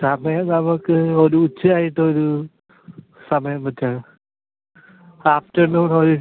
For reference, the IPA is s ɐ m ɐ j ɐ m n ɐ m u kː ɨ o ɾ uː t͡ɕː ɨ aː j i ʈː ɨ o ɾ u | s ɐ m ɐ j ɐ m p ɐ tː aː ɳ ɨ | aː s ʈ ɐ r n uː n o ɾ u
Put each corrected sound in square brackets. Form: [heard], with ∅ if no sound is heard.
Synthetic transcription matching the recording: s ɐ m ɐ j ɐ m n ɐ m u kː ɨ o ɾ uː t͡ɕː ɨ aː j i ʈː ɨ o ɾ u | s ɐ m ɐ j ɐ m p ɐ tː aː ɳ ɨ | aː [f] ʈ ɐ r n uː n o ɾ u